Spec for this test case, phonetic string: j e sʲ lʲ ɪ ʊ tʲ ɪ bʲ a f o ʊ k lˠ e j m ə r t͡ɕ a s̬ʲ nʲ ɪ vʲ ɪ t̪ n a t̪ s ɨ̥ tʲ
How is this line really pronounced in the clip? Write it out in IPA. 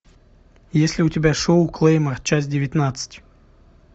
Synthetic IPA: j e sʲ lʲ ɪ ʊ tʲ ɪ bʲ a ʂ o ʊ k lˠ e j m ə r t͡ɕ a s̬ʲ dʲ ɪ vʲ ɪ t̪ n a t̪ s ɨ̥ tʲ